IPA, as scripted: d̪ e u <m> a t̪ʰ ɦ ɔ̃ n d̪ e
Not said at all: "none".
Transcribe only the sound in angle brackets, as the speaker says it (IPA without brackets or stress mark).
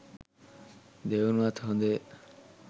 n